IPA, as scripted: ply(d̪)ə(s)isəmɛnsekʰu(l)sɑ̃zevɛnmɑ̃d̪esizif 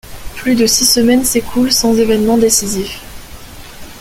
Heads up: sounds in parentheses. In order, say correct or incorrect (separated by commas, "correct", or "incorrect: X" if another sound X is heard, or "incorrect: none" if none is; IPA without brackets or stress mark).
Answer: correct, correct, correct